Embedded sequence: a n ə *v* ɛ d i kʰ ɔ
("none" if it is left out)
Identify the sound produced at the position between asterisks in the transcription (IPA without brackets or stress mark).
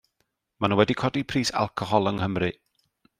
w